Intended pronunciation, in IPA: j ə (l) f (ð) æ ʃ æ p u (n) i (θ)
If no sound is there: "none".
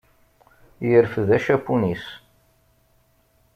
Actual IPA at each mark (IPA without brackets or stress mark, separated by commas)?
ɾ, ð, n, s